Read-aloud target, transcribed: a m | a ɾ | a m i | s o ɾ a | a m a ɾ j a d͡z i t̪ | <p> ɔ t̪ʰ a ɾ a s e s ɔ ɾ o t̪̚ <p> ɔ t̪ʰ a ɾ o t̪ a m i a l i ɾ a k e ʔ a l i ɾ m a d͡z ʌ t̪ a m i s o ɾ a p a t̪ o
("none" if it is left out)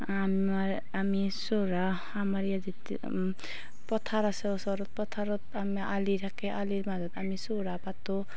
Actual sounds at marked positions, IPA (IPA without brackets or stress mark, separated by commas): p, p